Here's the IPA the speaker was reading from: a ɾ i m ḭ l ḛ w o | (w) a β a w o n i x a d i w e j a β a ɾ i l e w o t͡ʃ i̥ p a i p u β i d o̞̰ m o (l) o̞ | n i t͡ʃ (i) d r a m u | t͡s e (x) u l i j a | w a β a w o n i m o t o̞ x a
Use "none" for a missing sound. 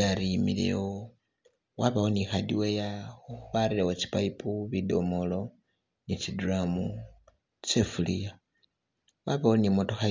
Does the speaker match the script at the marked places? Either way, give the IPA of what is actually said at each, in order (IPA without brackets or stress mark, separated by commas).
w, l, i, f